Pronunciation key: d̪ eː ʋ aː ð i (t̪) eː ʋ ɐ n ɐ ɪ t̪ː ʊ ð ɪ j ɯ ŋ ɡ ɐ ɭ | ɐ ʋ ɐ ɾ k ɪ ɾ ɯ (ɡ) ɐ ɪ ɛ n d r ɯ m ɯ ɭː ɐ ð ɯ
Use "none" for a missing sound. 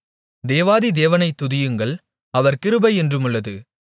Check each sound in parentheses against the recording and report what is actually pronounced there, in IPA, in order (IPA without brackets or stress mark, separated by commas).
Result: d̪, b